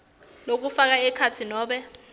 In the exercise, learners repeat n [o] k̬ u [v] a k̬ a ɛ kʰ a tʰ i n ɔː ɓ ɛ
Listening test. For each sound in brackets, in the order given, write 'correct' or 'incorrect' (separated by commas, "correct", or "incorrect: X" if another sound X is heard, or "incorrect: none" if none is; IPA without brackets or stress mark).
correct, incorrect: f